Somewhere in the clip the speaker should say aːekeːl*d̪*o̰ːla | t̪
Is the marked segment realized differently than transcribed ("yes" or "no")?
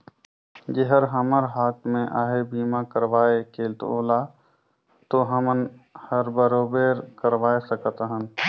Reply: yes